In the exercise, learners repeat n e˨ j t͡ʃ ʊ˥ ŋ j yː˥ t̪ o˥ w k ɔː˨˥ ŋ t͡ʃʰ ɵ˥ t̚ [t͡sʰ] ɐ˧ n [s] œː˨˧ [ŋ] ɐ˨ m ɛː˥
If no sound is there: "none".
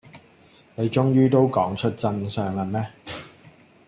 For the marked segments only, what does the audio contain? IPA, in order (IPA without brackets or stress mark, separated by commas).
t͡s, s, ŋ